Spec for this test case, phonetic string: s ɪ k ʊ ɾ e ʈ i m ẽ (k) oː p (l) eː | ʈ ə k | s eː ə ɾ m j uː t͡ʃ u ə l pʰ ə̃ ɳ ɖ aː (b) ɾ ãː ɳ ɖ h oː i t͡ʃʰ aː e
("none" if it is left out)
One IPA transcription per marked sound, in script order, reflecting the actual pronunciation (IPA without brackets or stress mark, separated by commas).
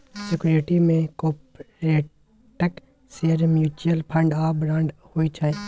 k, ɾ, b